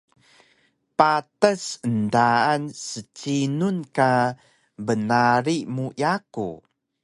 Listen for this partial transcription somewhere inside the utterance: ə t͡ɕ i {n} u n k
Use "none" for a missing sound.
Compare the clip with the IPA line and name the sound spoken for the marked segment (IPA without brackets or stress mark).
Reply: n